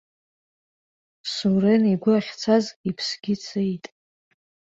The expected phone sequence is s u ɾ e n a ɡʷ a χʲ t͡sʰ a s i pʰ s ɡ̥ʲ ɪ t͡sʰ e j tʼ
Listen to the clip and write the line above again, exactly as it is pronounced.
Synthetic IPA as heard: s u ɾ e n i ɡʷ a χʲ t͡sʰ a z i pʰ s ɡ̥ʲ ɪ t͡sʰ e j tʼ